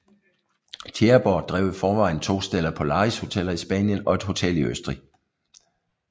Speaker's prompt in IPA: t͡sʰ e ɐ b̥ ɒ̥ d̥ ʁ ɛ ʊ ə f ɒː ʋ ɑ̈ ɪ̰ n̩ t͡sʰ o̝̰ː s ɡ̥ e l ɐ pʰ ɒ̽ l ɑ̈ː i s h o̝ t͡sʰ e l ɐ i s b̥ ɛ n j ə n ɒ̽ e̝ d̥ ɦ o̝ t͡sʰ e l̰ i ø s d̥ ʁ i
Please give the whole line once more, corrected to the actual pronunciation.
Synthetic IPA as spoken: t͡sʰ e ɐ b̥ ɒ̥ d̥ ʁ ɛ ʊ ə f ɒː ʋ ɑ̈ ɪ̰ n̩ t͡sʰ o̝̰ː s d̥ e l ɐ pʰ ɒ̽ l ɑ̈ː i s h o̝ t͡sʰ e l ɐ i s b̥ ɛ n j ə n ɒ̽ e̝ d̥ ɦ o̝ t͡sʰ e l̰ i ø s d̥ ʁ i